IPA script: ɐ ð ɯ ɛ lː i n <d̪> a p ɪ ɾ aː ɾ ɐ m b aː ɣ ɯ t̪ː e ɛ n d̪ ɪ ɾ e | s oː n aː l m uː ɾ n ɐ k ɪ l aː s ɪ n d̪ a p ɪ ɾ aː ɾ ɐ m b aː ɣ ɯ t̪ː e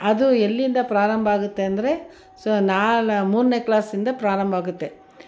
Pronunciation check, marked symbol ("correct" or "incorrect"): correct